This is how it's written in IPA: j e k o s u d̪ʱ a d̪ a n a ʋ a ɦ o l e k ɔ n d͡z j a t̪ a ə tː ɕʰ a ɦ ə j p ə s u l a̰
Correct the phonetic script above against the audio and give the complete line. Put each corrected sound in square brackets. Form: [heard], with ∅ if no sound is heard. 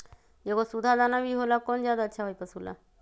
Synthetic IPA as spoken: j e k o s u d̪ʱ a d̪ a n a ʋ [i] ɦ o l [a] k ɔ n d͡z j a [d̪] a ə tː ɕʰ a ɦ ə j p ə s u l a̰